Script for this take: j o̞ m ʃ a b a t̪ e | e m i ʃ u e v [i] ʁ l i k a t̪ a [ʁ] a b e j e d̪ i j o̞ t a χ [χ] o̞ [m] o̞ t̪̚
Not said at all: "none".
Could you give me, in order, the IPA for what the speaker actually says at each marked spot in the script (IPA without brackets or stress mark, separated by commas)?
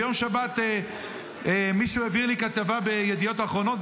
i, v, ʁ, n